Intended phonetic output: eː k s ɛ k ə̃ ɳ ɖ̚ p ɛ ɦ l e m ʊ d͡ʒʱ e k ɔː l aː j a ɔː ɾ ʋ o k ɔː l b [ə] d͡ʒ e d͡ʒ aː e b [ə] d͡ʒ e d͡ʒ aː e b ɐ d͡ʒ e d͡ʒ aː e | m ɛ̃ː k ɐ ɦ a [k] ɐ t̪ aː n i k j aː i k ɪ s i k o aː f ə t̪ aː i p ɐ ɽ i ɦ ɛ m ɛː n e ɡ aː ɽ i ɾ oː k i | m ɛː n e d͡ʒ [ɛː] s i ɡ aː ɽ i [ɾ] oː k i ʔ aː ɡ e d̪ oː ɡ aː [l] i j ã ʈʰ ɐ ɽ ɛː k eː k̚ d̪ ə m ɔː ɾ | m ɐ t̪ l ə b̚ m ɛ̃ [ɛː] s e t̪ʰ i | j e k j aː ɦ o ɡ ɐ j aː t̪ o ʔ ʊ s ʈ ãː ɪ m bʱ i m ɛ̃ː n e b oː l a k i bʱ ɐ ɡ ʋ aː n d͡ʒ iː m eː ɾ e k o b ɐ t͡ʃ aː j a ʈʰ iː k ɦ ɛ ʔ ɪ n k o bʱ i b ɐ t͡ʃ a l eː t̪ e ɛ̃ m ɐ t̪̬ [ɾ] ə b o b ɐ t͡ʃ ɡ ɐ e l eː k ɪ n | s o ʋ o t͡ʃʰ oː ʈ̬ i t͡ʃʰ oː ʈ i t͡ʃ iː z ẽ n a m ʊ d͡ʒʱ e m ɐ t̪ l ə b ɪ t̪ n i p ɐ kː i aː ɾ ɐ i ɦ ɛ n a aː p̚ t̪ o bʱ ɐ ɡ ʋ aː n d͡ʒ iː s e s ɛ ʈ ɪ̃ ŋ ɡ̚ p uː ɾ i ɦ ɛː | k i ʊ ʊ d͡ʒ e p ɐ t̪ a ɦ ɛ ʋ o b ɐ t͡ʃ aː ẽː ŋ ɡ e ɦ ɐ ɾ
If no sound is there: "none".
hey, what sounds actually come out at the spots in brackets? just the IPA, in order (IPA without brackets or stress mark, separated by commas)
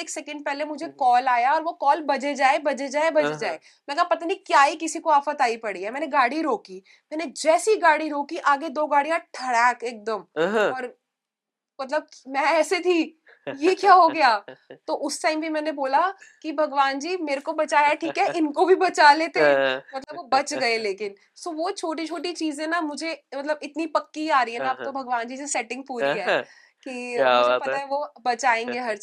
ɐ, ɐ, p, ɛː, ɾ, ɽ, ɛː, l